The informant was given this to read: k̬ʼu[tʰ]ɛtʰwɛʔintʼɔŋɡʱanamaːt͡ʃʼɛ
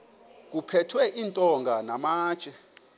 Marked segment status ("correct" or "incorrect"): incorrect